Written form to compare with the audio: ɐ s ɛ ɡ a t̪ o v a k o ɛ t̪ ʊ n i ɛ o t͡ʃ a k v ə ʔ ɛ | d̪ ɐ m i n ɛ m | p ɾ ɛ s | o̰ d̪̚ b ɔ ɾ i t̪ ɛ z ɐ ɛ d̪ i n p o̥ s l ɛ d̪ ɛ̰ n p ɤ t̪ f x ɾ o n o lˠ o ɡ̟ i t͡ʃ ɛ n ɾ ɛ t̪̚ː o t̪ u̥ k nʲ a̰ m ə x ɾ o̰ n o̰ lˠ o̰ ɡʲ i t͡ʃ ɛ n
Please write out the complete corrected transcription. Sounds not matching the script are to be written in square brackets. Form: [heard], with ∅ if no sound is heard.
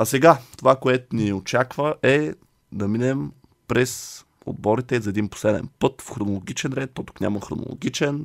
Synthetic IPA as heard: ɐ s ɛ ɡ a t̪ o v a k o ɛ t̪ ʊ n i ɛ o t͡ʃ a k v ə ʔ ɛ | d̪ ɐ m i n ɛ m | p ɾ ɛ s | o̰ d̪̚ b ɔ ɾ i t̪ ɛ z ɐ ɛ d̪ i n p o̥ s l ɛ d̪ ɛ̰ n p ɤ t̪ f x ɾ o n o lˠ o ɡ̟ i t͡ʃ ɛ n ɾ ɛ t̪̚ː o t̪ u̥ k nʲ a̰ m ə x ɾ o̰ n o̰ lˠ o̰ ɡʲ i t͡ʃ ɛ n